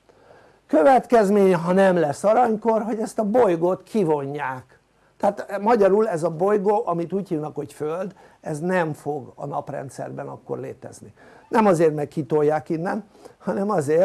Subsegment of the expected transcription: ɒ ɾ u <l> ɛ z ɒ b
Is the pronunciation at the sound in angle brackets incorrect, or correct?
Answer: correct